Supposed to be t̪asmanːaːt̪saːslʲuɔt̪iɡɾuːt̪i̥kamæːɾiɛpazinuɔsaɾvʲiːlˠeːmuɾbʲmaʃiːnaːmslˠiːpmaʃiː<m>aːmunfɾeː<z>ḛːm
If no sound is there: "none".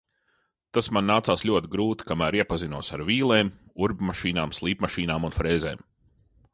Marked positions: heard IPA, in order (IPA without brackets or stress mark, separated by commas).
n, z